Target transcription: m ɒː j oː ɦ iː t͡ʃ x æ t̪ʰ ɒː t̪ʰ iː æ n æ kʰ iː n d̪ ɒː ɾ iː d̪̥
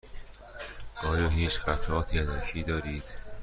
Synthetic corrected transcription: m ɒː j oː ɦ iː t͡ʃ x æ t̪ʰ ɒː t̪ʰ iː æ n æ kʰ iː d̪ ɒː ɾ iː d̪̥

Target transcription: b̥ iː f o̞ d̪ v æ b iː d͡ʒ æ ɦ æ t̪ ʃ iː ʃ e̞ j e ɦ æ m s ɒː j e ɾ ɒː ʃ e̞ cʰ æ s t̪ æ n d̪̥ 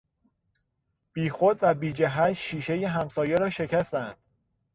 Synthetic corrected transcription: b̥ iː x o̞ d̪ v æ b iː d͡ʒ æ ɦ æ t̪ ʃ iː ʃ e̞ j e ɦ æ m s ɒː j e ɾ ɒː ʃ e̞ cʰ æ s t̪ æ n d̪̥

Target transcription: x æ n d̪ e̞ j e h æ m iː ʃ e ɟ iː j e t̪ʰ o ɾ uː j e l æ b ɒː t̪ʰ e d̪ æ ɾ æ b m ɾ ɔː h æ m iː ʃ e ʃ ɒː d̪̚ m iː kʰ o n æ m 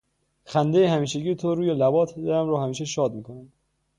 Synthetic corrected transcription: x æ n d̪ e̞ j e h æ m iː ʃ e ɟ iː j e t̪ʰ o ɾ uː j e l æ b ɒː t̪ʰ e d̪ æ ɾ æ m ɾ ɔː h æ m iː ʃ e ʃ ɒː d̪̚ m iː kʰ o n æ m

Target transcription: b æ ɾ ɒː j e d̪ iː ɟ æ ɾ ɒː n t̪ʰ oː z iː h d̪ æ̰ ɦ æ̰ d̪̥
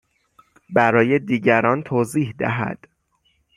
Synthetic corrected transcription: b æ ɾ ɒː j e d̪ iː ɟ æ ɾ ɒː n t̪ʰ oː z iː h d̪ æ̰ ɦ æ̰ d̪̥

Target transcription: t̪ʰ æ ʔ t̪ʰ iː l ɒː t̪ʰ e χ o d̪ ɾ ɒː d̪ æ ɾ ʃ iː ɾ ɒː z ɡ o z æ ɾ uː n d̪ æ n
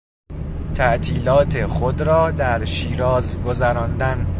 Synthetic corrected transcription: t̪ʰ æ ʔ t̪ʰ iː l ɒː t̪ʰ e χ o d̪ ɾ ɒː d̪ æ ɾ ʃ iː ɾ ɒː z ɡ o z æ ɾ ɒː n d̪ æ n

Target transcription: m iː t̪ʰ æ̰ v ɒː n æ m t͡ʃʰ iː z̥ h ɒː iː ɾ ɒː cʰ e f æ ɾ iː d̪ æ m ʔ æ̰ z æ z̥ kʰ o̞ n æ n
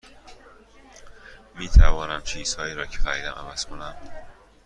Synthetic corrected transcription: m iː t̪ʰ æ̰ v ɒː n æ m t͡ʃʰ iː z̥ h ɒː iː ɾ ɒː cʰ e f æ ɾ iː d̪ æ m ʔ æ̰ v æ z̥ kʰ o̞ n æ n

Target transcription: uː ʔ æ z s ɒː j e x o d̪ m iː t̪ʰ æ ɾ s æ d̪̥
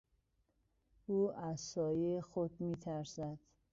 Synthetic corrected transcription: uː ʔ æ z s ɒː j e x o d̪ m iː t̪ʰ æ ɾ s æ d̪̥

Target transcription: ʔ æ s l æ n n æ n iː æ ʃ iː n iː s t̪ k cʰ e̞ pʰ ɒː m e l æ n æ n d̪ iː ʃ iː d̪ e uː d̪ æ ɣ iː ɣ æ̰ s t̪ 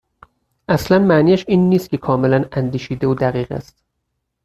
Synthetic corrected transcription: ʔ æ s l æ n m æ n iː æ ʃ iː nː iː s t̪ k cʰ e̞ kʰ ɒː m e l æ n æ n d̪ iː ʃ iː d̪ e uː d̪ æ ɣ iː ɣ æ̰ s t̪

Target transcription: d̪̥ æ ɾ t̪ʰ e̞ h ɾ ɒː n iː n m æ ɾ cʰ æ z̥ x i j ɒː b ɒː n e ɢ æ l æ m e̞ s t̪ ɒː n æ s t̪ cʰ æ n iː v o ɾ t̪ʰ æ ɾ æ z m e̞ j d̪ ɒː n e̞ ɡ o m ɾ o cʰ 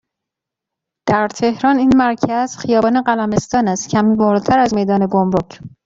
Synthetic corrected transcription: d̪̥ æ ɾ t̪ʰ e̞ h ɾ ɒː n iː n m æ ɾ cʰ æ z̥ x i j ɒː b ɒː n e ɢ æ l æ m e̞ s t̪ ɒː n æ s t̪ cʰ æ m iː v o ɾ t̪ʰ æ ɾ æ z m e̞ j d̪ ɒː n e̞ ɡ o m ɾ o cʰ

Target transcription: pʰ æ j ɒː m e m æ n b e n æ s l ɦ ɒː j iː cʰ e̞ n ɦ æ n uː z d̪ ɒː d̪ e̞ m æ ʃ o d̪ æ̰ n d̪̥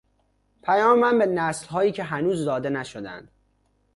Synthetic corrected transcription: pʰ æ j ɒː m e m æ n b e n æ s l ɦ ɒː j iː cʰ e̞ ɦ æ n uː z d̪ ɒː d̪ e̞ n æ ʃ o d̪ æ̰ n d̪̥

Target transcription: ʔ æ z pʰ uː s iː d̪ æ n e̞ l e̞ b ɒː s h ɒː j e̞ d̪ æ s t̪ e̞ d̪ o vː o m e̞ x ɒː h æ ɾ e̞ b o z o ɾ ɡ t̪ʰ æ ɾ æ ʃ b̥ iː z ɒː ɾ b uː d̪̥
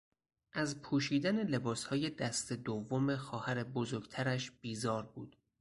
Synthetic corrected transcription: ʔ æ z pʰ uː ʃ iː d̪ æ n e̞ l e̞ b ɒː s h ɒː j e̞ d̪ æ s t̪ e̞ d̪ o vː o m e̞ x ɒː h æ ɾ e̞ b o z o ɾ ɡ t̪ʰ æ ɾ æ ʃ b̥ iː z ɒː ɾ b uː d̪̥

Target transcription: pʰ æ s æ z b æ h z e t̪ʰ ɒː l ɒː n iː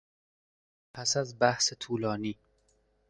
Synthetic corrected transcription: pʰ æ s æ z b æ h s e t̪ʰ uː l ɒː n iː

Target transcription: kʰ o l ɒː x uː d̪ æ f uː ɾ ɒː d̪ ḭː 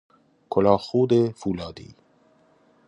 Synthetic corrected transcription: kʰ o l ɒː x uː d̪ e f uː l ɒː d̪ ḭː

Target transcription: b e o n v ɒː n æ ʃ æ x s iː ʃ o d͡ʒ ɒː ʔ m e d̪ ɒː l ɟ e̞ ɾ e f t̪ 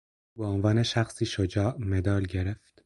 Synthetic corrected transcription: b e o n v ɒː n e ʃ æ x s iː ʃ o d͡ʒ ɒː ʔ m e d̪ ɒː l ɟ e̞ ɾ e f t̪

